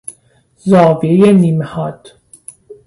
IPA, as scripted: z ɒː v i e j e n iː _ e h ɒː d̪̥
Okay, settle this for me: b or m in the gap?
m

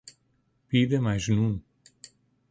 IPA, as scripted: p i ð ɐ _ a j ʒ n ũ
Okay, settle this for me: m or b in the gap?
m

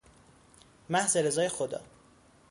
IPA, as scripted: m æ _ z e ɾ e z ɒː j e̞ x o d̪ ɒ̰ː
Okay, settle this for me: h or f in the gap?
h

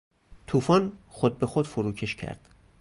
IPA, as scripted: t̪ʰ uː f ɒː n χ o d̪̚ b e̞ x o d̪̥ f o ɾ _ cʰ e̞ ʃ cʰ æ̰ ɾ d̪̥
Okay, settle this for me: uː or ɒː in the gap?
uː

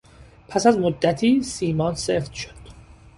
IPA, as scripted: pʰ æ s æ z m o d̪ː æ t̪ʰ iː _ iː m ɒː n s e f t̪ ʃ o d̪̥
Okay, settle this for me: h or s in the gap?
s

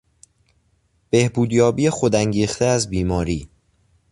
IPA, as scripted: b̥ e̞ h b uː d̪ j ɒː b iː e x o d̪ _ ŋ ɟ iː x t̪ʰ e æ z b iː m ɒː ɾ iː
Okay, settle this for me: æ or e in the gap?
æ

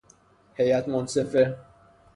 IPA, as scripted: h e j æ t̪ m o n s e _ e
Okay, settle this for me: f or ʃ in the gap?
f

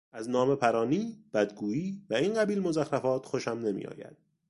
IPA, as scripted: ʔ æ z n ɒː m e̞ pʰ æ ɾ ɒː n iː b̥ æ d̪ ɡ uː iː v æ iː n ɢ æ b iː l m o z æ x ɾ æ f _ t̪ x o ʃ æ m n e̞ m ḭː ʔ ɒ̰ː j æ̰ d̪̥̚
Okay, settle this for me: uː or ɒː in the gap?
ɒː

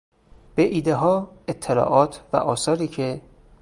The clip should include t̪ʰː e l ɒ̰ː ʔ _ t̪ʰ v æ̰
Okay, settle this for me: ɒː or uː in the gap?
ɒː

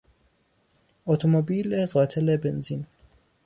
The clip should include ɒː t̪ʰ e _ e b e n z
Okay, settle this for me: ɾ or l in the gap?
l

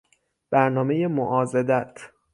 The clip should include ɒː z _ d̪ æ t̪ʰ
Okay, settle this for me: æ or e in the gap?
e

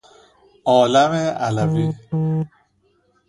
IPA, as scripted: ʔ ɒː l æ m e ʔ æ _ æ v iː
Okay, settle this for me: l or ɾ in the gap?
l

